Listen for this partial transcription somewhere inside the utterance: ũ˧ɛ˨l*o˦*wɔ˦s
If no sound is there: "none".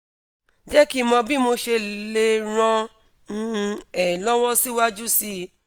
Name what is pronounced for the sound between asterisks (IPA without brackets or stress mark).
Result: ɔ˦